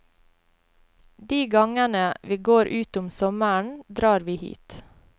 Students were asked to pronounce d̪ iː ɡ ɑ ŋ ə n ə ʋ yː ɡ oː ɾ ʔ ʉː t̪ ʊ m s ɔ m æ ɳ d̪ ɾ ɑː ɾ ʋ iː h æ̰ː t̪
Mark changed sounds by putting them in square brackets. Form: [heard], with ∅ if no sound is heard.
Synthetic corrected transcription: d̪ iː ɡ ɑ ŋ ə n ə ʋ [iː] ɡ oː ɾ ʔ ʉː t̪ ʊ m s ɔ m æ ɳ d̪ ɾ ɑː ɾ ʋ iː h [ḭː] t̪